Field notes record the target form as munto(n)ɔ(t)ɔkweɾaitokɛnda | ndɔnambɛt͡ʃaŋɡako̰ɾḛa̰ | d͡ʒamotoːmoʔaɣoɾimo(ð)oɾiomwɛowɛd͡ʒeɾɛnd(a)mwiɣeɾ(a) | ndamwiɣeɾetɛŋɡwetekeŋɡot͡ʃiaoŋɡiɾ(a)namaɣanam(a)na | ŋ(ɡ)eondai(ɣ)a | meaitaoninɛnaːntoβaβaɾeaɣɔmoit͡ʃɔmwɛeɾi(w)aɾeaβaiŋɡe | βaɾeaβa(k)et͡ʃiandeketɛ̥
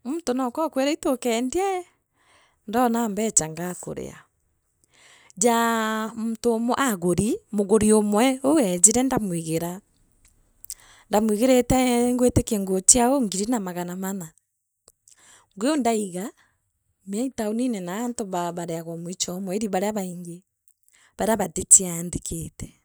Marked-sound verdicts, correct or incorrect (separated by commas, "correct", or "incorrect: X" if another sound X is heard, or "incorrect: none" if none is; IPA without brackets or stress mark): correct, incorrect: k, incorrect: ɣ, correct, correct, incorrect: i, correct, correct, correct, incorrect: β, incorrect: t